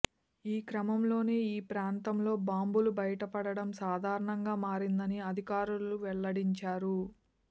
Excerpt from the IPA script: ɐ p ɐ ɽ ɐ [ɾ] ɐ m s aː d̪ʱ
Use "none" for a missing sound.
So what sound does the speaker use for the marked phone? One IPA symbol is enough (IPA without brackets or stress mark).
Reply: ɽ